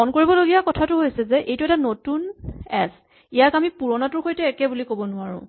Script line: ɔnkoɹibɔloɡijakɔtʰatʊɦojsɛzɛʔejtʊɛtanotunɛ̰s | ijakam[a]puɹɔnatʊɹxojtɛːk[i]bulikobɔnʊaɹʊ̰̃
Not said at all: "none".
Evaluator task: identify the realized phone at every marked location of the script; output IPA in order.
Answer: i, ɛ

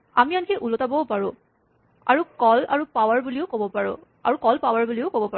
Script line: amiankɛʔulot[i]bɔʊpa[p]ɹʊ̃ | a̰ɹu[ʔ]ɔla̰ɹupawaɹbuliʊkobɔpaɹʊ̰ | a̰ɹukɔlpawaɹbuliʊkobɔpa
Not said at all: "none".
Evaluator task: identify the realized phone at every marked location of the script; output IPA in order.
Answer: a, none, k

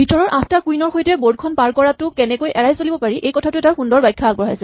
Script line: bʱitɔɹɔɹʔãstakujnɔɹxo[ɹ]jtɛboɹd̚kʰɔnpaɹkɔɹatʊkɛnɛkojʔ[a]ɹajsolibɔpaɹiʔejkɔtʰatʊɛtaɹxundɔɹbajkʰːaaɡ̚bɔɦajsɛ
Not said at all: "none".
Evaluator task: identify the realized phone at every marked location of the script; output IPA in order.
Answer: none, ɛ

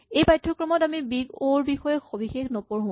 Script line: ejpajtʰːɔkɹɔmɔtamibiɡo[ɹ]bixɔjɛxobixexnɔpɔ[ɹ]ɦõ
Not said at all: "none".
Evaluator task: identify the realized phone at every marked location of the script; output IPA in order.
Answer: ɹ, ɹ

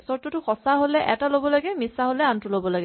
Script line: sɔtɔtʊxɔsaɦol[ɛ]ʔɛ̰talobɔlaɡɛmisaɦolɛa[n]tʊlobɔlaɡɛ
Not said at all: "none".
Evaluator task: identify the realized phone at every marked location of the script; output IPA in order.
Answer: ɛ, n

